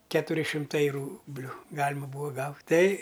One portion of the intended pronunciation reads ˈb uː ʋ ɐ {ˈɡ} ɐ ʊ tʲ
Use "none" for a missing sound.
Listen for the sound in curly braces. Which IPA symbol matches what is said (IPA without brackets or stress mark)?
ɡ